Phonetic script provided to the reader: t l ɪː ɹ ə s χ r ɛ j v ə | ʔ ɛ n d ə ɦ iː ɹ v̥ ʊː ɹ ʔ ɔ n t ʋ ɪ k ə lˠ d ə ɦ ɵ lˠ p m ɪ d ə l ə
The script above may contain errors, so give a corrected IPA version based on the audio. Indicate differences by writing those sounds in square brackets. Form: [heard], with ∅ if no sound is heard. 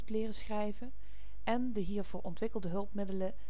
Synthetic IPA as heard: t l ɪː [r] ə s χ r ɛ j v ə | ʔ ɛ n d ə ɦ iː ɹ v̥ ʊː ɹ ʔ ɔ n t ʋ ɪ k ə lˠ d ə ɦ ɵ lˠ p m ɪ d ə l ə